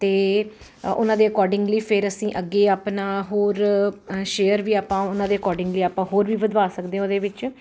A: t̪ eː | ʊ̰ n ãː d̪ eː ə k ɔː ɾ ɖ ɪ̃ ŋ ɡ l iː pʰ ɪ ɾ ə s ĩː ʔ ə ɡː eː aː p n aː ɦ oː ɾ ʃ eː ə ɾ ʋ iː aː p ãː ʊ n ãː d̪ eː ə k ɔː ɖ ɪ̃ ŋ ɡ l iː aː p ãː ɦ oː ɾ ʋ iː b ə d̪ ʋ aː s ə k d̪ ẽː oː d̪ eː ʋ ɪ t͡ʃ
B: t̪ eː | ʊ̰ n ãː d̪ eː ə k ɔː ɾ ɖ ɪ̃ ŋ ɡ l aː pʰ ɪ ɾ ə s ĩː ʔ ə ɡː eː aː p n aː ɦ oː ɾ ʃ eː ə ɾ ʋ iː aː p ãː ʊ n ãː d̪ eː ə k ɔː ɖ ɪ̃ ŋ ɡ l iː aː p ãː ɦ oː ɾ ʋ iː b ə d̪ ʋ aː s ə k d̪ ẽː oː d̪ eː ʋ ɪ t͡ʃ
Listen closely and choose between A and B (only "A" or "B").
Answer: A